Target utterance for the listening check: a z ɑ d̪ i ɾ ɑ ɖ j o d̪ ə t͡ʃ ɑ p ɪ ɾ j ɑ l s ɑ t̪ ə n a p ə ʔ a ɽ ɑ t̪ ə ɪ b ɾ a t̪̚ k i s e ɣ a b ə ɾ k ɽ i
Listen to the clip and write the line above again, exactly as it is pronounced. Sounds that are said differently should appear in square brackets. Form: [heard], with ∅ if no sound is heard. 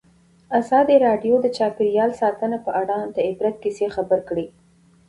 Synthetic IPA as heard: a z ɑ d̪ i ɾ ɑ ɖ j o d̪ ə t͡ʃ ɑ p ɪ ɾ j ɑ l s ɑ t̪ ə n a p ə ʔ a ɽ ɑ [d̪] ə ɪ b ɾ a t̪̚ k i s e [x] a b ə ɾ k ɽ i